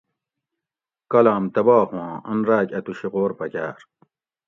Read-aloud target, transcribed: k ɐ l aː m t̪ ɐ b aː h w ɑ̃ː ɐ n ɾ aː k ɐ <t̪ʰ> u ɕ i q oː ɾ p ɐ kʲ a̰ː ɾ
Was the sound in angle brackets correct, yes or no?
no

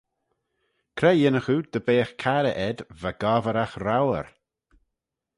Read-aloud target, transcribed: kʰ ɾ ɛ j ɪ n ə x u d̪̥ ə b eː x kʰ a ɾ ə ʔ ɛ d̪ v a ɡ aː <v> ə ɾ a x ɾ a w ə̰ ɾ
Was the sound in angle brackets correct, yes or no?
yes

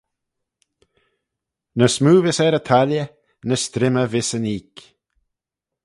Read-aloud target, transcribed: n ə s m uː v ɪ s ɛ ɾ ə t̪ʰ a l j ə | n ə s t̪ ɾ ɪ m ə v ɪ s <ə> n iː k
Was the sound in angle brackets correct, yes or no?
yes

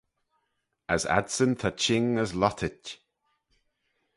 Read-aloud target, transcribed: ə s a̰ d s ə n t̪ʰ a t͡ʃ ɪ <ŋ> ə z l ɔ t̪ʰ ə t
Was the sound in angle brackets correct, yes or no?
yes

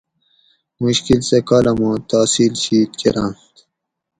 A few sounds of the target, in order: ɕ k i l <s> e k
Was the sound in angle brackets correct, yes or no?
yes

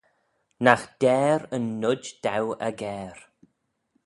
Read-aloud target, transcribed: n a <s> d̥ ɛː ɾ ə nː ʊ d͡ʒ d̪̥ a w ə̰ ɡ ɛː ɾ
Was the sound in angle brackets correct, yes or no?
no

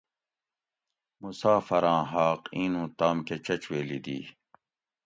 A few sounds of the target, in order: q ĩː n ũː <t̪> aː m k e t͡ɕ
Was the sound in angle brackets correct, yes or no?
yes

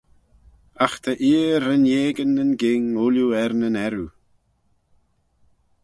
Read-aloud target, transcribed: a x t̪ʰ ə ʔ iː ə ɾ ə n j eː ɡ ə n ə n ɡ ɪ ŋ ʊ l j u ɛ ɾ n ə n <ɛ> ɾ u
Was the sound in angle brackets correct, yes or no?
yes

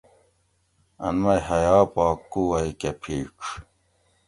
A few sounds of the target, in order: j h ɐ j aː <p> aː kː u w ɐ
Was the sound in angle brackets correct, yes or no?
yes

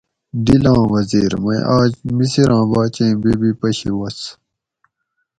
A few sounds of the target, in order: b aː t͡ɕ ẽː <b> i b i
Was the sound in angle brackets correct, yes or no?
yes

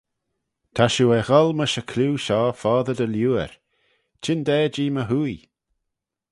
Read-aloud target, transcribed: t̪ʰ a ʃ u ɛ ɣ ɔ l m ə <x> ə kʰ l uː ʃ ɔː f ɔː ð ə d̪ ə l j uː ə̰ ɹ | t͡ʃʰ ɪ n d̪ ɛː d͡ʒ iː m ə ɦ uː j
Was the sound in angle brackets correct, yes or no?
no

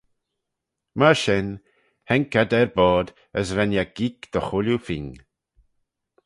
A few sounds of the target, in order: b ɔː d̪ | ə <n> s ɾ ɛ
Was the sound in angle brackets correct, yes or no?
no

